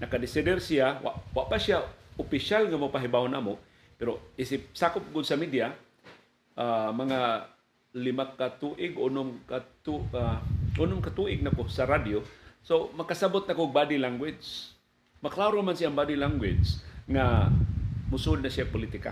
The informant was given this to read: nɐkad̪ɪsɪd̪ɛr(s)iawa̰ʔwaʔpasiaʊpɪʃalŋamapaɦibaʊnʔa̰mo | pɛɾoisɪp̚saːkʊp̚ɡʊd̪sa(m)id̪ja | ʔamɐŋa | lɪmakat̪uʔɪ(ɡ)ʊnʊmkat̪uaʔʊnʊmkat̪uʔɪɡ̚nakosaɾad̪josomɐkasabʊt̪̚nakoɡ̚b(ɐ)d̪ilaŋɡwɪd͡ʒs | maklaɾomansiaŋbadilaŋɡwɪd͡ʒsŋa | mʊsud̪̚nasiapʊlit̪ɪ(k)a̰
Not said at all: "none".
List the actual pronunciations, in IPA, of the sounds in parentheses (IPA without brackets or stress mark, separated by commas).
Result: s, m, ɡ, a, k